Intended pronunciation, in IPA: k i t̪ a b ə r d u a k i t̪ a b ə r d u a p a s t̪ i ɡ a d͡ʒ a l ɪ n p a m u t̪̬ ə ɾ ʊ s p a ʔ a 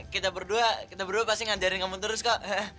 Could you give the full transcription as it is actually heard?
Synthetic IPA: k i t̪ a b ə r d u a k i t̪ a b ə r d u a p a s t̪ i ŋ a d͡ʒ a ɾ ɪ n k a m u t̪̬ ə ɾ ʊ s k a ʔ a